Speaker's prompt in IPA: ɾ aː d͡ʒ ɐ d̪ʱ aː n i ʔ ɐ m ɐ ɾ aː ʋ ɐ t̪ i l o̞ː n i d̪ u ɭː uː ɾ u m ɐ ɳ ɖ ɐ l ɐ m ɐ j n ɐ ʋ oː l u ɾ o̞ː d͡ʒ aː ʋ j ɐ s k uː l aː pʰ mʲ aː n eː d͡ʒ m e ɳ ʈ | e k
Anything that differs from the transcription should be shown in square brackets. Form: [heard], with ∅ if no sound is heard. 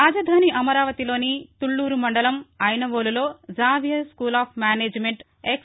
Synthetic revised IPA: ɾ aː d͡ʒ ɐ d̪ʱ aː n i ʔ ɐ m ɐ ɾ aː ʋ ɐ t̪ i l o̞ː n i [t̪] u ɭː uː ɾ u m ɐ ɳ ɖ ɐ l ɐ m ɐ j n ɐ ʋ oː l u [l] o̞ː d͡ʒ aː ʋ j ɐ s k uː l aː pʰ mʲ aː n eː d͡ʒ m e ɳ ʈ | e k